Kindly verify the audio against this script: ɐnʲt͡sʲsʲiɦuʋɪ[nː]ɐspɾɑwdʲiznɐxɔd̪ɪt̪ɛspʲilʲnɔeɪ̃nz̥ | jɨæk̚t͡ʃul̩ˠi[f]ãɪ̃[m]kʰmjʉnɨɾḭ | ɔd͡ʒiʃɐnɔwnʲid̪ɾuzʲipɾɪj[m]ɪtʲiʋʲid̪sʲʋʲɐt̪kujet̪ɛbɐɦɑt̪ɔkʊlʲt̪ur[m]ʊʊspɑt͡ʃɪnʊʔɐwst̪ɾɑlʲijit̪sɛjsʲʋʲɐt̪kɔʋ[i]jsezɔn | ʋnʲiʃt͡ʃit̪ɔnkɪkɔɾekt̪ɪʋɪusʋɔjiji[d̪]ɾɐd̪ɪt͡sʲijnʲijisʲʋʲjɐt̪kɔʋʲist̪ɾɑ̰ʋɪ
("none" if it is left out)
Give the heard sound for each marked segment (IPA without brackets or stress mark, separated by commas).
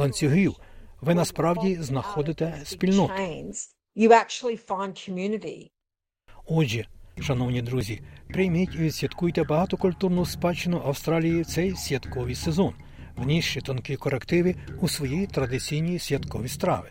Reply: n, f, n, m, n, i, t̪